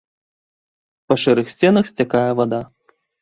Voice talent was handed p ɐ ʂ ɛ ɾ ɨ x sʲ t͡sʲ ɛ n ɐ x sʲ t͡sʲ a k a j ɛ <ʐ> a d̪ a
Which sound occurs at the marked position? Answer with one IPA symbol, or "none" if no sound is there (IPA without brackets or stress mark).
v